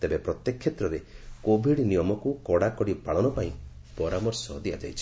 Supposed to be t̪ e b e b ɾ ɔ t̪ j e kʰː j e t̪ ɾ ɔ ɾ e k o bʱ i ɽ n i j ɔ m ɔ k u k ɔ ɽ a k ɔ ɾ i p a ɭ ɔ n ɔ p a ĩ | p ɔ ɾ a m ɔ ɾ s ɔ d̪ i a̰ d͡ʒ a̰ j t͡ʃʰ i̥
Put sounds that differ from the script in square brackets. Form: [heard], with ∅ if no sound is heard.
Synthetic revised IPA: t̪ e b e [p] ɾ ɔ t̪ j e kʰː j e t̪ ɾ ɔ ɾ e k o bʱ i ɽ n i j ɔ m ɔ k u k ɔ ɽ a k ɔ [ɽ] i p a ɭ ɔ n ɔ p a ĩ | p ɔ ɾ a m ɔ ɾ s ɔ d̪ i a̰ d͡ʒ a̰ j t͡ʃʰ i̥